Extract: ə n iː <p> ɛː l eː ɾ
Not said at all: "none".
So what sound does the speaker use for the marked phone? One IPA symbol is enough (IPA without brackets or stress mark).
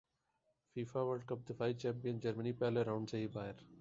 p